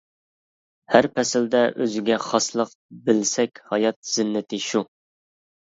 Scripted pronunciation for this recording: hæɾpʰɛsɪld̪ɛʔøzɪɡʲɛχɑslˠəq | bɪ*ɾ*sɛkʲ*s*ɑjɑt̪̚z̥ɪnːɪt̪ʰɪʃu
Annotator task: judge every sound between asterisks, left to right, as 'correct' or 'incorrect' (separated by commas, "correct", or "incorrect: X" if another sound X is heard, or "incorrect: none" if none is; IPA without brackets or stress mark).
incorrect: l, incorrect: h